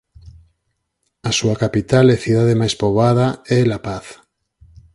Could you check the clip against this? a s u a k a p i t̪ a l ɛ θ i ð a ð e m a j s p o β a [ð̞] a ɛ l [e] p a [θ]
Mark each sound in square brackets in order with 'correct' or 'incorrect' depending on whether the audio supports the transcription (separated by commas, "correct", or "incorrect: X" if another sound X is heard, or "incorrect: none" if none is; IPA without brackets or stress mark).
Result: correct, incorrect: a, correct